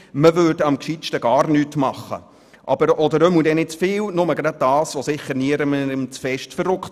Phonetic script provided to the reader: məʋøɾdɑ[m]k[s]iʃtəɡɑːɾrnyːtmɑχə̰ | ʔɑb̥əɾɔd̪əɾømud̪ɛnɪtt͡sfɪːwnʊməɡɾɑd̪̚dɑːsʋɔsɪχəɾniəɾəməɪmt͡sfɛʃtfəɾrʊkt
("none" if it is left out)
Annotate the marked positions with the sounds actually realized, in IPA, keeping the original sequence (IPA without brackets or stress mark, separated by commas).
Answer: m, ʃ